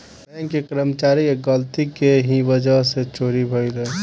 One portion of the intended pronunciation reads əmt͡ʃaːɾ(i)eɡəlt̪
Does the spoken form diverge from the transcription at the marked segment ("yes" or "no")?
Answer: no